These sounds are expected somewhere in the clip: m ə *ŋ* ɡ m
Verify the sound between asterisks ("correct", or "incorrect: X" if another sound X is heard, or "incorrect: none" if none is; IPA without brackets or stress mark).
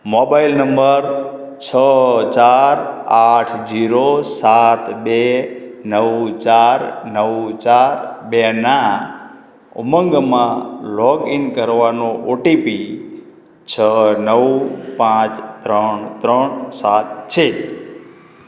correct